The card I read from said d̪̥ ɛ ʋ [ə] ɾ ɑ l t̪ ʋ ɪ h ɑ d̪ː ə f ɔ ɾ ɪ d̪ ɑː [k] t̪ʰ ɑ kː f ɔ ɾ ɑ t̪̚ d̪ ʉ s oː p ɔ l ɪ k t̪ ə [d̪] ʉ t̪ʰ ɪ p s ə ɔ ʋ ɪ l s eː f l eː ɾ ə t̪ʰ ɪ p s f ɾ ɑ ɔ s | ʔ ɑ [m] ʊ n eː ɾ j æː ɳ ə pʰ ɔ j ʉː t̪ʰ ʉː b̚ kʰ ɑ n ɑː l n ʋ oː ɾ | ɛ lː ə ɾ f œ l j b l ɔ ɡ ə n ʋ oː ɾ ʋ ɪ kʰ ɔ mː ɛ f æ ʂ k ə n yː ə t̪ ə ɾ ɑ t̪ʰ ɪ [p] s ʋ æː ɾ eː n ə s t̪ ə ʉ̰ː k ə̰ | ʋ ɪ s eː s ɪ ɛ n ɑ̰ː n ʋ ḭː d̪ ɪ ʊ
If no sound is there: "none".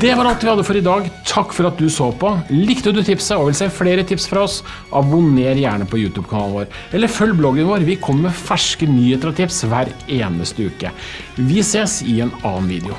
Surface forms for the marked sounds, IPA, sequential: ɑ, ɡ, d̪, b, p

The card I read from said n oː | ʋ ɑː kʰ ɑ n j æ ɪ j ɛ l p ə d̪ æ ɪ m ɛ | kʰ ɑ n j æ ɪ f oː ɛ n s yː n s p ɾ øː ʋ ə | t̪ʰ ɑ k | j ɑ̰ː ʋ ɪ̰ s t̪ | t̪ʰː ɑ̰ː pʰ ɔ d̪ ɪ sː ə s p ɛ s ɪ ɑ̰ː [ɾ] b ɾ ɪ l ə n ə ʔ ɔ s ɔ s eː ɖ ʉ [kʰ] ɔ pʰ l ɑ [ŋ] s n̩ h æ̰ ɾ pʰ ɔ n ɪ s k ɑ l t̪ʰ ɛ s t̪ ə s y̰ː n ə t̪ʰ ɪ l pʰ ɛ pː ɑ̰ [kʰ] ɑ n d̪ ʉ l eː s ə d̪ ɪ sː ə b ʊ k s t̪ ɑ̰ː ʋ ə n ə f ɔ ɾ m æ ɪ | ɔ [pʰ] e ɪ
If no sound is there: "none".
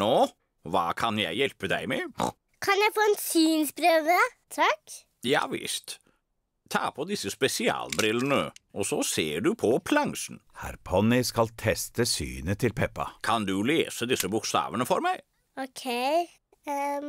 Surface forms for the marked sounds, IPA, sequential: l, pʰ, ŋ, kʰ, kʰ

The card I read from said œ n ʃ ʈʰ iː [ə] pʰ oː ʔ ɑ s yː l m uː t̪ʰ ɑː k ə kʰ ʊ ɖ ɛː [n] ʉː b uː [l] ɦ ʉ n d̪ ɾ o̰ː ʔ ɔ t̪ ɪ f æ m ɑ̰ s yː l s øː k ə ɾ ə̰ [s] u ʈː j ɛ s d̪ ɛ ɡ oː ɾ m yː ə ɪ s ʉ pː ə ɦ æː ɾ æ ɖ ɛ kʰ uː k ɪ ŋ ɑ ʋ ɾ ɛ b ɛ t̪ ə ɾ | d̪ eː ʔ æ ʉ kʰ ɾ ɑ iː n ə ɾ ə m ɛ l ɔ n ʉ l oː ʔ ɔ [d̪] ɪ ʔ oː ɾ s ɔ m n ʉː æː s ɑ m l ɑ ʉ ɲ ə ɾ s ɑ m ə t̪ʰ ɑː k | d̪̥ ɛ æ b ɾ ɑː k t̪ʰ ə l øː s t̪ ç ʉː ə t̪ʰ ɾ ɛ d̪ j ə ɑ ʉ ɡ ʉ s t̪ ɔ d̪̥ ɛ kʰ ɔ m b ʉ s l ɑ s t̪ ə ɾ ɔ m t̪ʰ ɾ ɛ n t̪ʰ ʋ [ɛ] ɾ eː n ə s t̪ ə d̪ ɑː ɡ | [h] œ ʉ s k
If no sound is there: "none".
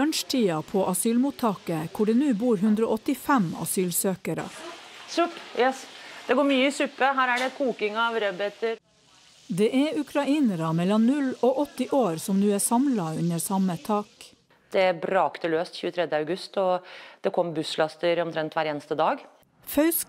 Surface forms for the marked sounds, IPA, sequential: ɑ, n, ɾ, s, t̪, æ, f

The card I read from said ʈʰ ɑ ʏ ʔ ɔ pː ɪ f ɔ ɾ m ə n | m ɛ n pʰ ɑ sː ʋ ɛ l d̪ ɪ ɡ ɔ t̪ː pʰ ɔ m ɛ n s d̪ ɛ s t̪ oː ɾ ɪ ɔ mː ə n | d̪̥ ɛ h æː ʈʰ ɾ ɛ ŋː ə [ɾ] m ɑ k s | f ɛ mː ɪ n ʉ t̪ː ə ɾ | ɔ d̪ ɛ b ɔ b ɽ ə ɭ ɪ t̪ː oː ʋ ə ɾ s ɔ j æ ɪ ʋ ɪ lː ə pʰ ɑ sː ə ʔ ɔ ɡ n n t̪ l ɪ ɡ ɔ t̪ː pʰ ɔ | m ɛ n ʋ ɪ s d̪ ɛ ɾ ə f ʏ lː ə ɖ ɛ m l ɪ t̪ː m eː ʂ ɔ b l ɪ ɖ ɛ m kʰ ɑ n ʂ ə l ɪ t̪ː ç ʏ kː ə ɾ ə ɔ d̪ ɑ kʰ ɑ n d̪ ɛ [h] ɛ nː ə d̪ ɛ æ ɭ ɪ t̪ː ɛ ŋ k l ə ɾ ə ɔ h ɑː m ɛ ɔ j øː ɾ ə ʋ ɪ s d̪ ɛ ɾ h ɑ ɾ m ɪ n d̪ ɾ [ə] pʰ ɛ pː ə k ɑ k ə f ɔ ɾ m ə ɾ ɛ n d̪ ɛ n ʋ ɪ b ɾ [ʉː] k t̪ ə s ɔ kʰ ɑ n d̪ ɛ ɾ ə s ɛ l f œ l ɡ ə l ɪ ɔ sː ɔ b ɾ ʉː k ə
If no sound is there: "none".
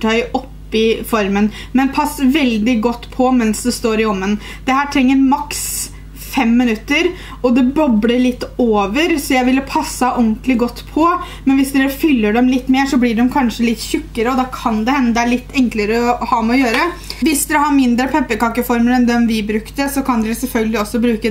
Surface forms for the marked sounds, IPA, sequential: ɾ, h, ə, ʉ

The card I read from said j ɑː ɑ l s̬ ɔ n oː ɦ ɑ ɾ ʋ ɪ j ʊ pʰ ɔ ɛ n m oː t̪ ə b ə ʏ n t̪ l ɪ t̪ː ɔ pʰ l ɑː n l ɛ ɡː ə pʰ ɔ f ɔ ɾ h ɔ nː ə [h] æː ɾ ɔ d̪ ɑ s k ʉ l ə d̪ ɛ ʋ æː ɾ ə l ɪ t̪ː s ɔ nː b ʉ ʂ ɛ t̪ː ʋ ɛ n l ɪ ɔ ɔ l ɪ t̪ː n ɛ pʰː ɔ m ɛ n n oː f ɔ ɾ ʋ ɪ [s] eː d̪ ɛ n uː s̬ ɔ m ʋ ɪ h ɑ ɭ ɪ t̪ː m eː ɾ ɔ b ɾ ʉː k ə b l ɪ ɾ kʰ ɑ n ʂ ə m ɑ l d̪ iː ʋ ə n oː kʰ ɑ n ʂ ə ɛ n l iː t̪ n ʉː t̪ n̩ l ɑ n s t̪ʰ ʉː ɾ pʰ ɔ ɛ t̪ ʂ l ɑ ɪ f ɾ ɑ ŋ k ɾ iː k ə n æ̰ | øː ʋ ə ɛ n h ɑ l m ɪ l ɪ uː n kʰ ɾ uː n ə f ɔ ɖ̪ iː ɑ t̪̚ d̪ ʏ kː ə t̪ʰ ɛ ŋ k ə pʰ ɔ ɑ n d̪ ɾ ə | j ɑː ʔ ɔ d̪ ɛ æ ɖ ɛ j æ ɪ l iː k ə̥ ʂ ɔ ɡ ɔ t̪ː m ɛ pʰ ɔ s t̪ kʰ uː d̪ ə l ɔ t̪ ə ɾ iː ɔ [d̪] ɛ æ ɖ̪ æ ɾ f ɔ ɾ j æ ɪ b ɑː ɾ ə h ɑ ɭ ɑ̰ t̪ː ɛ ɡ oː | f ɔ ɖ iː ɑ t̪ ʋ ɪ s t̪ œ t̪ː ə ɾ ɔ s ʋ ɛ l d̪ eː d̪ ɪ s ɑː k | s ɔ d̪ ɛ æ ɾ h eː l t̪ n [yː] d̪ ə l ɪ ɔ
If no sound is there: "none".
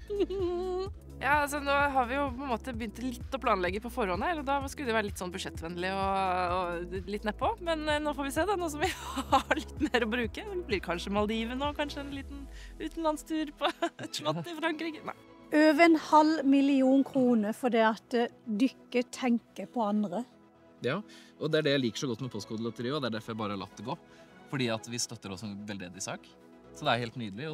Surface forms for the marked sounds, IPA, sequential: h, s, d̪, yː

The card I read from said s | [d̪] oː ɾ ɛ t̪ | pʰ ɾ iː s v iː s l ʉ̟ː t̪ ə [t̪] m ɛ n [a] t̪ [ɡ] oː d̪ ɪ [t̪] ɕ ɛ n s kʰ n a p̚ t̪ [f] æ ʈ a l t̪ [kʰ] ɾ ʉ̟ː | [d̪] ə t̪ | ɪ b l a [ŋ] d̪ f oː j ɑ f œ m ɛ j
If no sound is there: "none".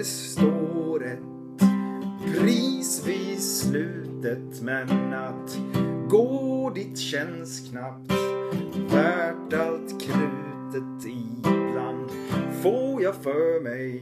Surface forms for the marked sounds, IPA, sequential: t̪, t̪, a, ɡ, t̪, v, kʰ, t̪, n

